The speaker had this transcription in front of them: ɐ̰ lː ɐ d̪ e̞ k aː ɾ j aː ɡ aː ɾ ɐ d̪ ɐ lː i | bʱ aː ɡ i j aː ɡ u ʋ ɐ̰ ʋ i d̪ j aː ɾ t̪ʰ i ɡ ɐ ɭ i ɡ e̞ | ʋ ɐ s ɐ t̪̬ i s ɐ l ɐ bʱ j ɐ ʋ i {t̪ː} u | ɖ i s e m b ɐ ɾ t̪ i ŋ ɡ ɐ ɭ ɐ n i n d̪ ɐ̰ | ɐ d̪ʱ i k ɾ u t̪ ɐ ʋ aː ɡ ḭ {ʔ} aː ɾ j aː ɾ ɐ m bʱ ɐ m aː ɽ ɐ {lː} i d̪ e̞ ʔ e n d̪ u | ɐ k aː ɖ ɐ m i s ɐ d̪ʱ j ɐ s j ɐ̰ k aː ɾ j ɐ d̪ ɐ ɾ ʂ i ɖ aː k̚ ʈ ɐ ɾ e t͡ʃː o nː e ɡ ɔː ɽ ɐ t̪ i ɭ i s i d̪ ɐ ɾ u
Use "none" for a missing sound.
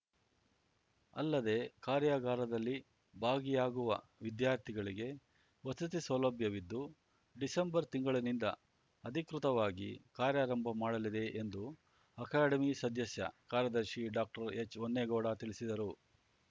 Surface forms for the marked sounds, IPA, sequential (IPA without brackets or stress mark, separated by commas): d̪ː, k, l